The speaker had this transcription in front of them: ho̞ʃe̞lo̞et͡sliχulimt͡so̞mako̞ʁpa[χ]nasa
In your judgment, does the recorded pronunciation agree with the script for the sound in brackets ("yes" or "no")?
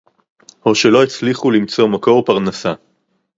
no